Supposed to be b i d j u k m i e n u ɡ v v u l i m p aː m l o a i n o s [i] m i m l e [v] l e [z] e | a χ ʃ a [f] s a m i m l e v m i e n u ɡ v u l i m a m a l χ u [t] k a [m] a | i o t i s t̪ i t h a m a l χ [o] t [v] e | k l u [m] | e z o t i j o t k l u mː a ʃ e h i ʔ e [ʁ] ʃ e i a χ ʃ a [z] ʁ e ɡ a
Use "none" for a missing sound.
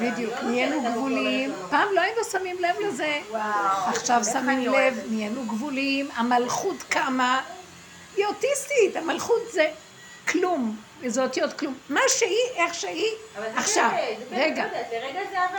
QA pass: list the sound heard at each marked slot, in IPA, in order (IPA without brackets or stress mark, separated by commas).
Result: a, v, z, v, t, m, u, z, m, χ, v